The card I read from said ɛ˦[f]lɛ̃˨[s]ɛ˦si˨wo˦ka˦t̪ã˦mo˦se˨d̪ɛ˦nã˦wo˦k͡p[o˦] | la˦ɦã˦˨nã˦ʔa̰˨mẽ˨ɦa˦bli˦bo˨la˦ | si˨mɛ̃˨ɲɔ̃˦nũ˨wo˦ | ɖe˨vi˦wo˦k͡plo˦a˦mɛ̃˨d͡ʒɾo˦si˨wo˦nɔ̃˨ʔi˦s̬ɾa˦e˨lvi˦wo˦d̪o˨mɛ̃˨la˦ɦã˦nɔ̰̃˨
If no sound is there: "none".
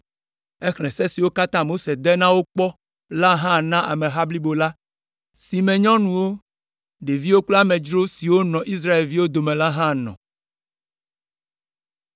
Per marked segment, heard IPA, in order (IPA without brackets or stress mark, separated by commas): x, s, ɔ˦